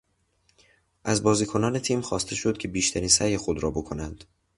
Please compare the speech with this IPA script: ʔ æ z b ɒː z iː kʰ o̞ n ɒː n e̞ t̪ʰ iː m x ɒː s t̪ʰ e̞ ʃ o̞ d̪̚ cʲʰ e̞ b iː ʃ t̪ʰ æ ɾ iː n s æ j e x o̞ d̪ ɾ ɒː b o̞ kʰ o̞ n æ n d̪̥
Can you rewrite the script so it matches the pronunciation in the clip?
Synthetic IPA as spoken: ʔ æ z b ɒː z iː kʰ o̞ n ɒː n e̞ t̪ʰ iː m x ɒː s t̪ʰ e̞ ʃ o̞ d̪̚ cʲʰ e̞ b iː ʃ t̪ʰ æ ɾ iː n s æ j e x o̞ d̪ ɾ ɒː b o̞ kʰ o̞ n æ n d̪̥